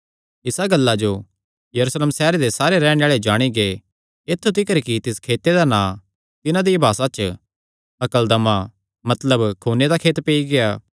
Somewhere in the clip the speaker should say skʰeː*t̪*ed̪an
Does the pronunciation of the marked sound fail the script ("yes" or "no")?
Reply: no